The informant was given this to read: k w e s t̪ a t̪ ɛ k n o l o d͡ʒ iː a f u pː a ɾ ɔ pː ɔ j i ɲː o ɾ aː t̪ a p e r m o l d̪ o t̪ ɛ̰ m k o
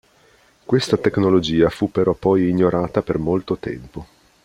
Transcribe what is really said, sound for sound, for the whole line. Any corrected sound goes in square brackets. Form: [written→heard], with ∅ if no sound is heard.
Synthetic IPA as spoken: k w e s t̪ a t̪ [ɛ→e] k n o l o d͡ʒ iː a f u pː [a→e] ɾ ɔ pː ɔ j i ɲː o ɾ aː t̪ a p e r m o l [d̪→t̪] o t̪ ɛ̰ m [k→p] o